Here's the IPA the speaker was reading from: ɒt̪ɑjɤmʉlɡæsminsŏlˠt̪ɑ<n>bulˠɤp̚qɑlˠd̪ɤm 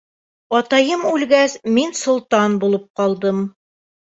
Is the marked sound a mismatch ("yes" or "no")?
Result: no